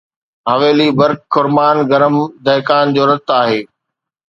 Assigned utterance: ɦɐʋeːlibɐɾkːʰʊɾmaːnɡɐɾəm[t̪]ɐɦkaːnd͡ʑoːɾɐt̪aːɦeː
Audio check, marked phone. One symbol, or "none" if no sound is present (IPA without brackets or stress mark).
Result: d̪